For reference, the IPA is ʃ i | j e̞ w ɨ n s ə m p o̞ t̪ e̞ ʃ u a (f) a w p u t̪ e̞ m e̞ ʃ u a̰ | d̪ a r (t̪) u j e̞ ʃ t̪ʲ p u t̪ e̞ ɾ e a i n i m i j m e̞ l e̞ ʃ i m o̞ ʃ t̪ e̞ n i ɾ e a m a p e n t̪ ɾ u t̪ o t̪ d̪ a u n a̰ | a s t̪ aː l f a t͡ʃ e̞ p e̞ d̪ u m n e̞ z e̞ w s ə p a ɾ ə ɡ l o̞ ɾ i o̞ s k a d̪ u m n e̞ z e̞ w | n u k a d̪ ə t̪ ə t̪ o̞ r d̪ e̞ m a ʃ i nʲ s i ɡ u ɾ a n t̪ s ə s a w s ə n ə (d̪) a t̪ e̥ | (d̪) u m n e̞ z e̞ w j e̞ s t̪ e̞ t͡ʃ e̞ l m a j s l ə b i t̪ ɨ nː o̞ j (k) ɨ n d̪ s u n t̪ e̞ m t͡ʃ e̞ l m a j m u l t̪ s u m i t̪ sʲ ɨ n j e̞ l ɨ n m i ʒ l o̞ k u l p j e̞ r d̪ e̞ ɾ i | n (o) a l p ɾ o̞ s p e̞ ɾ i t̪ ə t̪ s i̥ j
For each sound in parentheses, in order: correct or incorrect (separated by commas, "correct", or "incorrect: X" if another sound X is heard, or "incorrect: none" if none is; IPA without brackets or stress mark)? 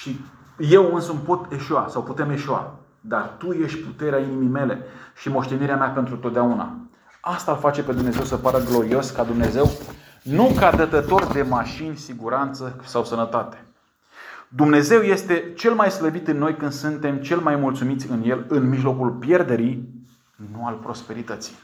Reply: incorrect: s, correct, incorrect: t̪, correct, correct, incorrect: u